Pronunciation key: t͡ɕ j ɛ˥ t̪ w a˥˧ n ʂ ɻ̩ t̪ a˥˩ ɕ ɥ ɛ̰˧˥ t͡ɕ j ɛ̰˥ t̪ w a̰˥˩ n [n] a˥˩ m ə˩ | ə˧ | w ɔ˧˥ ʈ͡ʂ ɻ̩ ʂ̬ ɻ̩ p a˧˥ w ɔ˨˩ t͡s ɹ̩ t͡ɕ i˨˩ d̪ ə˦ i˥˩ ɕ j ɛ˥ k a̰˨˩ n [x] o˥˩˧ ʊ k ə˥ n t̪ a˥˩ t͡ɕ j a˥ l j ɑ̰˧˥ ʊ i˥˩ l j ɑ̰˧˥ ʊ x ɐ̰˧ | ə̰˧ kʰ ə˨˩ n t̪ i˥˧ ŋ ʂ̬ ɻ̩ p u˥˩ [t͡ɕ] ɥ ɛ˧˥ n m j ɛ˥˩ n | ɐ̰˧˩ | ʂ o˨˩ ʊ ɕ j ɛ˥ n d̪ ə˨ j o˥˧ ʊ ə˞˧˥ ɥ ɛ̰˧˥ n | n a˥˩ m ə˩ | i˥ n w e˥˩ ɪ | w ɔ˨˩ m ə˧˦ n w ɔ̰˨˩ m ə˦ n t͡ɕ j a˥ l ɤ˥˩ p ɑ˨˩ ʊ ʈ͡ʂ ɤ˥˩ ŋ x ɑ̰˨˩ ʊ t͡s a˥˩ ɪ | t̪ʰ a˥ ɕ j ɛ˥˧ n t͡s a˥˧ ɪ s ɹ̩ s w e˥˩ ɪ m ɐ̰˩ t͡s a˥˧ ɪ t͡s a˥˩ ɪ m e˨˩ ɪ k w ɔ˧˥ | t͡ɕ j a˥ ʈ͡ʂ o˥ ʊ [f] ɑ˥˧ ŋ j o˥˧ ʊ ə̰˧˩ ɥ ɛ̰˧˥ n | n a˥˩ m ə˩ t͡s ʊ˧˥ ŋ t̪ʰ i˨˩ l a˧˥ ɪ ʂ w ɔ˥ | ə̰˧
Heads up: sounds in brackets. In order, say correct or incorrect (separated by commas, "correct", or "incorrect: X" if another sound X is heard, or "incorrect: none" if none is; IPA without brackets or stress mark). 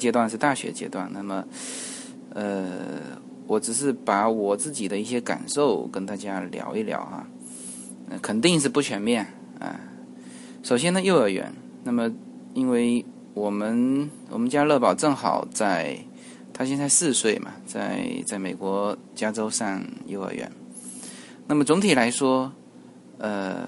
correct, incorrect: ʂ, incorrect: t͡ɕʰ, incorrect: ʂ